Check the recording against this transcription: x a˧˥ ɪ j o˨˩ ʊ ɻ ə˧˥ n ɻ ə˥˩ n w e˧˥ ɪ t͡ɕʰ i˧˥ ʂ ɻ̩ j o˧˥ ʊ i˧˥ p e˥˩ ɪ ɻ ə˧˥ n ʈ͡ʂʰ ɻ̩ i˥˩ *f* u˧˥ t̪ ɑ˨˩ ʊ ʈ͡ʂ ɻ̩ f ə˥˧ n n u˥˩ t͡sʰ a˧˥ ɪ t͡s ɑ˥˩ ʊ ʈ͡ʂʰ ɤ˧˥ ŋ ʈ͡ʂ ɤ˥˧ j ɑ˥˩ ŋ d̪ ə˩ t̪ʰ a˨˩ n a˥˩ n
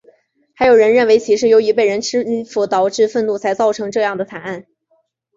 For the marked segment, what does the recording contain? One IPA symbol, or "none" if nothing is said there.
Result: f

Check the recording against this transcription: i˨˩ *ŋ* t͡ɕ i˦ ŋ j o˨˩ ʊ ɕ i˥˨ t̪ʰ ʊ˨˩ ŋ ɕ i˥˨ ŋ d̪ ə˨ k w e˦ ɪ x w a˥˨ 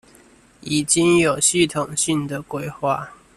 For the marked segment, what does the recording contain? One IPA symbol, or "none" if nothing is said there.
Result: none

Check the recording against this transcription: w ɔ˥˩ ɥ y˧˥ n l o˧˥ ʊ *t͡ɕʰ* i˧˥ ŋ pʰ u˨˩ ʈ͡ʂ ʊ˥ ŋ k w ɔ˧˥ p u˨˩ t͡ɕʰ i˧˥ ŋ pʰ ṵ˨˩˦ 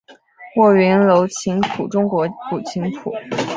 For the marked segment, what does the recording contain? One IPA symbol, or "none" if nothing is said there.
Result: t͡ɕʰ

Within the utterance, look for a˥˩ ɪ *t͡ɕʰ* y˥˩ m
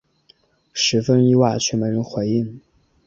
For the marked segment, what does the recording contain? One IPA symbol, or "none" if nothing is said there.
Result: t͡ɕʰ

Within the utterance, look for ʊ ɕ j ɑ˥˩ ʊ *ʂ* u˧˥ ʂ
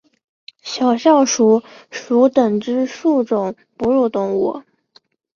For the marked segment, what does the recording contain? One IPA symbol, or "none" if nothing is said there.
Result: ʂ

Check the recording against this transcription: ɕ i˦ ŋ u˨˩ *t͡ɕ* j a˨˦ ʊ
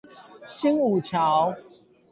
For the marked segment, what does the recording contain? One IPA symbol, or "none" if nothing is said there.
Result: t͡ɕʰ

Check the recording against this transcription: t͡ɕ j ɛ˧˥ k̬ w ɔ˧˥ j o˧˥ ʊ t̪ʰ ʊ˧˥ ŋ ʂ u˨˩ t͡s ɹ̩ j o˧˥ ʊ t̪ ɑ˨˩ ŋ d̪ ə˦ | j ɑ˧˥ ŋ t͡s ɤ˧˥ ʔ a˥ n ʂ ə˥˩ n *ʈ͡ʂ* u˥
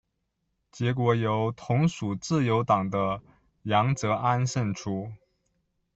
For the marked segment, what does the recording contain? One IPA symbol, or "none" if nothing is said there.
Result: ʈ͡ʂʰ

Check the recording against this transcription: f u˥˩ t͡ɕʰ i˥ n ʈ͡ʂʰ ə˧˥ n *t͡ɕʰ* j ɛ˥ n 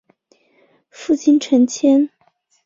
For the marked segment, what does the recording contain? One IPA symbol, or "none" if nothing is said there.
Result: t͡ɕʰ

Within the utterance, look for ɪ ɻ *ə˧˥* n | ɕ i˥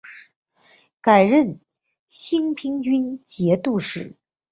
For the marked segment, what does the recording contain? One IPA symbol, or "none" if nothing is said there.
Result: ə˥˩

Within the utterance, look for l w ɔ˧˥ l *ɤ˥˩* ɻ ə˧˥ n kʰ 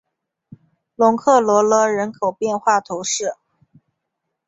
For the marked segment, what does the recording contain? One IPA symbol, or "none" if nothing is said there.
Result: ɤ˧˥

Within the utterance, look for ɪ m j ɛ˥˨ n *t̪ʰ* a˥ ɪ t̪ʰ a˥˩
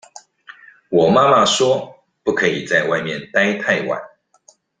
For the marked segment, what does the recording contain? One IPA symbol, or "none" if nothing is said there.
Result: t̪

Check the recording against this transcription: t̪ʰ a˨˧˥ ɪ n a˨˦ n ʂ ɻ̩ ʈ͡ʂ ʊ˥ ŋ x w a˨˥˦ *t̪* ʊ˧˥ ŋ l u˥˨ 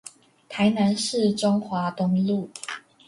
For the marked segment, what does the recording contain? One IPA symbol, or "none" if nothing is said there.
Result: t̪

